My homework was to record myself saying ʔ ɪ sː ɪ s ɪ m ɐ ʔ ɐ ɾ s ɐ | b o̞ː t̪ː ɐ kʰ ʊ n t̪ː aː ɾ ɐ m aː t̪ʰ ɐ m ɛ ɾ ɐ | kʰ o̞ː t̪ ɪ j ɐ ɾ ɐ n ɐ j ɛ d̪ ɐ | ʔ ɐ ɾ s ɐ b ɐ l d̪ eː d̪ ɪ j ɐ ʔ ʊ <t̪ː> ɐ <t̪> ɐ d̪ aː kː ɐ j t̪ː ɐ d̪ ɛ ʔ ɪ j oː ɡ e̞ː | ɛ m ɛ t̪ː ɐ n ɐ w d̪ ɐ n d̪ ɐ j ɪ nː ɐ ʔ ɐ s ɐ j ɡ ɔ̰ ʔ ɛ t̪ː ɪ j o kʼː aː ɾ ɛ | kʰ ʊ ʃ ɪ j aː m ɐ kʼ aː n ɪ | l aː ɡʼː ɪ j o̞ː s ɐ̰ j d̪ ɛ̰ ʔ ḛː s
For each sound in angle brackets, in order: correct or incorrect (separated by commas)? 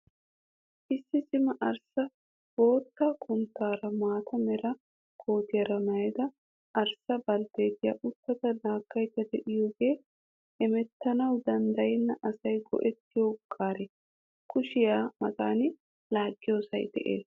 correct, correct